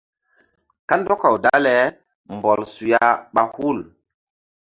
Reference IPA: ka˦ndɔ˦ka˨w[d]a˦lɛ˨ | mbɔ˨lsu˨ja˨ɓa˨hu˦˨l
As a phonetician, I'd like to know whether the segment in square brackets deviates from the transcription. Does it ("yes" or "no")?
no